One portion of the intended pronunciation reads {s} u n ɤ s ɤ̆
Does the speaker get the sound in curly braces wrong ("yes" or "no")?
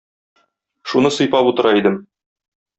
yes